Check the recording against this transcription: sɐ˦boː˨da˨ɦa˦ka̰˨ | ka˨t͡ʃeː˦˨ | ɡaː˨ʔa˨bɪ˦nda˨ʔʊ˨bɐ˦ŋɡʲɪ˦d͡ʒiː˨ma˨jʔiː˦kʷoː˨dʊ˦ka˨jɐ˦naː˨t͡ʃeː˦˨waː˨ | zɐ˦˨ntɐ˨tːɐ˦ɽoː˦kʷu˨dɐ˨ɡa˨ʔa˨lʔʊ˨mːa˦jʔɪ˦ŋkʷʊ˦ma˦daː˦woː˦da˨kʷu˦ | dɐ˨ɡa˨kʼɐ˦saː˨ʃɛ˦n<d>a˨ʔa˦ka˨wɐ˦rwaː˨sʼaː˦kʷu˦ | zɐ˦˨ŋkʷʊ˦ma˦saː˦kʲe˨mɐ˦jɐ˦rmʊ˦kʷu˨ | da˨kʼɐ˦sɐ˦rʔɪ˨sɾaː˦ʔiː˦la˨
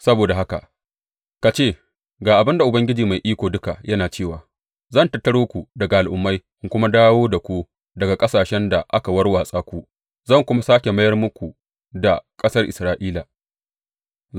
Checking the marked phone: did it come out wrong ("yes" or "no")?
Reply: no